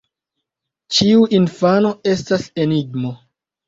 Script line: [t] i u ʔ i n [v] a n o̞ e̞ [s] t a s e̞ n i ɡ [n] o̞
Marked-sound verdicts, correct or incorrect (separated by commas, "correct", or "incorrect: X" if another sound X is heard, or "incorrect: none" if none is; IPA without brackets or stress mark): incorrect: t͡ʃ, incorrect: f, correct, incorrect: m